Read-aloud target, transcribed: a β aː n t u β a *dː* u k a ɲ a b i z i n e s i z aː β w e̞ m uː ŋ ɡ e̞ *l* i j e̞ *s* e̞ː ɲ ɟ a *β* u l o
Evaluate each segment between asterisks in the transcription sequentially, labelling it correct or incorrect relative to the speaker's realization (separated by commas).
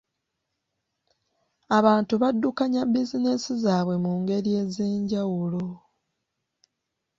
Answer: correct, incorrect, incorrect, incorrect